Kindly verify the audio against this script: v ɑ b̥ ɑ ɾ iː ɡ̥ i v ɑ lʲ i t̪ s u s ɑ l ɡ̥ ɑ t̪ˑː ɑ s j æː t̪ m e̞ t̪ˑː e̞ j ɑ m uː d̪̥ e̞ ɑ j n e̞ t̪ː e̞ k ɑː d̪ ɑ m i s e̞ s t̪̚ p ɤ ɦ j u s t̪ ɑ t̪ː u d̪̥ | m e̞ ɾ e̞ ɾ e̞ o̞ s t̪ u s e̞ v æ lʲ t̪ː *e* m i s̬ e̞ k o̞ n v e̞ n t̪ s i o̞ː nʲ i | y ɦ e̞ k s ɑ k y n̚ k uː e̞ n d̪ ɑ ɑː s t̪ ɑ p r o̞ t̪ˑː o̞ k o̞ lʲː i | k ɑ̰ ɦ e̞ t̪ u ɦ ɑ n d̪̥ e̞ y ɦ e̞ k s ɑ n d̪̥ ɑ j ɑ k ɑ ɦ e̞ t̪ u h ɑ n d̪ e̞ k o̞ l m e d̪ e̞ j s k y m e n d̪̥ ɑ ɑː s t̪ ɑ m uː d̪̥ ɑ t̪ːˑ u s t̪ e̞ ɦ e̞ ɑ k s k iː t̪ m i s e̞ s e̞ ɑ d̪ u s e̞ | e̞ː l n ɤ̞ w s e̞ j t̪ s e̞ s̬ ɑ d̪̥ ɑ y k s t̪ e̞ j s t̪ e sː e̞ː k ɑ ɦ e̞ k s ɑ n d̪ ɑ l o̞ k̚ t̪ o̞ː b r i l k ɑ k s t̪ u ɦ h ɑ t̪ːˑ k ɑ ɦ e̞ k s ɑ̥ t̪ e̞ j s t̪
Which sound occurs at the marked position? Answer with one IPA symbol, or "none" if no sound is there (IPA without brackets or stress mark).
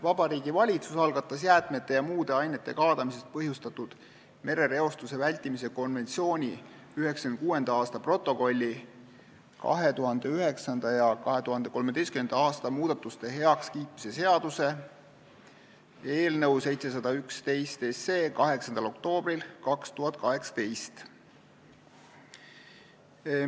i